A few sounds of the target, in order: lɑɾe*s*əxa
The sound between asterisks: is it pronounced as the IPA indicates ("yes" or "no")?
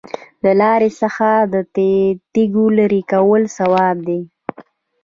yes